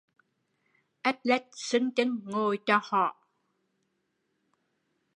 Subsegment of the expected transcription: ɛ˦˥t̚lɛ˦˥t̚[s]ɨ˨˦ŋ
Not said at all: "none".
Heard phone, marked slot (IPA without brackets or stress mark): s